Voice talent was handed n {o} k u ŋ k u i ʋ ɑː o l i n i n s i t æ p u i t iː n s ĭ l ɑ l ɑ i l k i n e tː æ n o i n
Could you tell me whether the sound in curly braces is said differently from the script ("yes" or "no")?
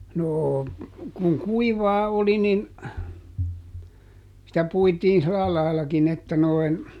yes